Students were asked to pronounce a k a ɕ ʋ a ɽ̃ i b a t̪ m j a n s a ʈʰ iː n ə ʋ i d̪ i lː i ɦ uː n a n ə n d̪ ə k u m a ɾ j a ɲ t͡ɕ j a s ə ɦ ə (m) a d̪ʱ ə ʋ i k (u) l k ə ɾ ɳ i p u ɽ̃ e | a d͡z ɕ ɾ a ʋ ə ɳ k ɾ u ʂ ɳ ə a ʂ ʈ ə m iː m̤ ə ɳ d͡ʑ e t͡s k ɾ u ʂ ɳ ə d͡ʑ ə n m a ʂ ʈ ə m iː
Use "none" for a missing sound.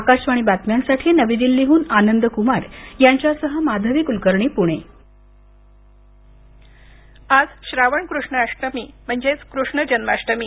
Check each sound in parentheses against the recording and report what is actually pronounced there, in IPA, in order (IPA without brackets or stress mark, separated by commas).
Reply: m, u